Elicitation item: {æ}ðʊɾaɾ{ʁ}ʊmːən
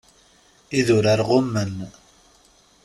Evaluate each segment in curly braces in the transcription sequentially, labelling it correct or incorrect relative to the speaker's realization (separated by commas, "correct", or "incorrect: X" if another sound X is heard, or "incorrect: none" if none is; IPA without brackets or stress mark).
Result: incorrect: i, correct